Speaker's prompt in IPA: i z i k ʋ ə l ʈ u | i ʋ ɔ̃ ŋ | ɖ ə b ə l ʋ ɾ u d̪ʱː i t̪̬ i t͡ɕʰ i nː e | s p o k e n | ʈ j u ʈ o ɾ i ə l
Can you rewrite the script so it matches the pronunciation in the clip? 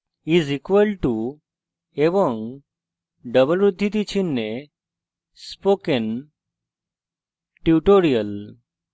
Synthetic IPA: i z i k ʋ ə l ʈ u | e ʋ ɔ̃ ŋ | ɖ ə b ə l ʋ ɾ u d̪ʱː i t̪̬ i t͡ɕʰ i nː e | s p o k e n | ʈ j u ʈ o ɾ i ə l